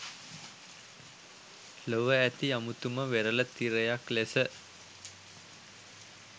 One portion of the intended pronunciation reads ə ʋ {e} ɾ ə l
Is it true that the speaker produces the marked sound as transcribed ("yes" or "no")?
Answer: yes